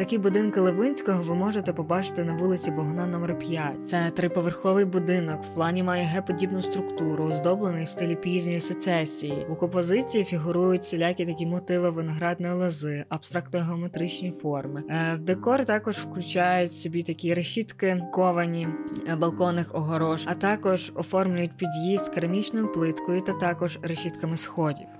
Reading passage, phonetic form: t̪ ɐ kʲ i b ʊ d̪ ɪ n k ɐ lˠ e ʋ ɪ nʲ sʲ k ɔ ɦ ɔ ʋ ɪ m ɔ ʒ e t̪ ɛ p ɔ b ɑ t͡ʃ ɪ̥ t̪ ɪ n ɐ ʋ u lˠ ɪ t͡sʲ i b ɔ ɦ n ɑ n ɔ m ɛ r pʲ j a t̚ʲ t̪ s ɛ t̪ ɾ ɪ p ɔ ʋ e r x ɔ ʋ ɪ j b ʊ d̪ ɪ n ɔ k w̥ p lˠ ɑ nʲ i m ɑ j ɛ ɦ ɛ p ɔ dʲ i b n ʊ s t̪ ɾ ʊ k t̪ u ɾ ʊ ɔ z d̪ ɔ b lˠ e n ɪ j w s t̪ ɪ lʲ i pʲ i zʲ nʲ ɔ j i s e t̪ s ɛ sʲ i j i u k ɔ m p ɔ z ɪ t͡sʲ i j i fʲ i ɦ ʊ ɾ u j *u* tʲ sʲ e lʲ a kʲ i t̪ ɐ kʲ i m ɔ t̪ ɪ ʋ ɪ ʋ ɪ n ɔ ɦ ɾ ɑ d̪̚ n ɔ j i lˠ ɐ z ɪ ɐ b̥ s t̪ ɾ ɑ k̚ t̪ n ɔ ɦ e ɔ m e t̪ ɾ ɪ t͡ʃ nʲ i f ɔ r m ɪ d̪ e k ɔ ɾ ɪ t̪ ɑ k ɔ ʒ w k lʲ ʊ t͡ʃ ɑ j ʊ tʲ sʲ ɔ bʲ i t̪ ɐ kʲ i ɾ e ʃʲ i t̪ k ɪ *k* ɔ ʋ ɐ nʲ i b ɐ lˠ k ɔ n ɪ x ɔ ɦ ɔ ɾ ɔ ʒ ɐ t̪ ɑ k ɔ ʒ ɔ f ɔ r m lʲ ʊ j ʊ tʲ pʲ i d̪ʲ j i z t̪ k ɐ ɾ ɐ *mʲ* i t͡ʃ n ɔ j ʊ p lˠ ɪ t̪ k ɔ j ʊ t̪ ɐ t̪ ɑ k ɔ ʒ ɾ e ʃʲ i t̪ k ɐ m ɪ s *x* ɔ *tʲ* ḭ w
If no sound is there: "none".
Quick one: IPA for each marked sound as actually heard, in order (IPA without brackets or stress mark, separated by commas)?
ʊ, k, mʲ, x, dʲ